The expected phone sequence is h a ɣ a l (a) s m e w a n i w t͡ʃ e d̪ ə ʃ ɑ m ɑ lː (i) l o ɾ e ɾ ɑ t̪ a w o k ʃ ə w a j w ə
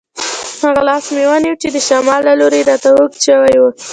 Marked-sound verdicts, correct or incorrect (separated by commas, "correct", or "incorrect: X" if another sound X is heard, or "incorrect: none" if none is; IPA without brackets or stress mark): incorrect: ɑ, incorrect: a